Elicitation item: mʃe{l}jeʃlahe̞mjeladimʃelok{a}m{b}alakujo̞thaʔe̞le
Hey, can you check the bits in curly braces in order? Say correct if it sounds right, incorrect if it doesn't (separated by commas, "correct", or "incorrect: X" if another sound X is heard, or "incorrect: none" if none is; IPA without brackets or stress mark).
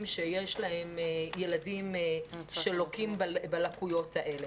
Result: incorrect: none, incorrect: i, correct